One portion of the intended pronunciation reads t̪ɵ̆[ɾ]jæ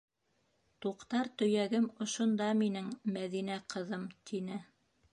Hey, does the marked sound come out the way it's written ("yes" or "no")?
no